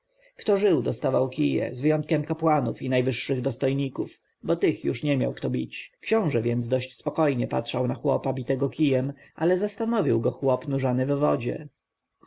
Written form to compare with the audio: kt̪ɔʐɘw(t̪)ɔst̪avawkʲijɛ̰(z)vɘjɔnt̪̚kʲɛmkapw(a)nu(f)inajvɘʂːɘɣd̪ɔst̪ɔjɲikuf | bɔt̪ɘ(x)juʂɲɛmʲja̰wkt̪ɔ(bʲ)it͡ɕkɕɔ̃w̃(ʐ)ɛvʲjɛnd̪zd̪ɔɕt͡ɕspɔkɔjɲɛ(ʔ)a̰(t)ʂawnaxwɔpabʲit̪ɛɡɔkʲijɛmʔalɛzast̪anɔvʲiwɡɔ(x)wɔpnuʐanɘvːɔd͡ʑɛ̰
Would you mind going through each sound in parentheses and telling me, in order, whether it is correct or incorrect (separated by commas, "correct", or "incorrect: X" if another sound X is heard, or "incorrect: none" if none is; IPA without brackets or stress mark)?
incorrect: d̪, correct, correct, correct, correct, correct, correct, incorrect: p, correct, correct